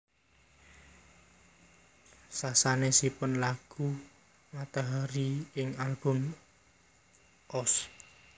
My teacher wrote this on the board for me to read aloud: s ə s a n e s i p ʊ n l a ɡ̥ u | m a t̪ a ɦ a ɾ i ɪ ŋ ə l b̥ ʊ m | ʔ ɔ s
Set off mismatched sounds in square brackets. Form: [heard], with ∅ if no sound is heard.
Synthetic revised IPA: s [a] s a n e s i p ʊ n l a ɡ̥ u | m a t̪ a ɦ a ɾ i ɪ ŋ [a] l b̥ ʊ m | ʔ ɔ s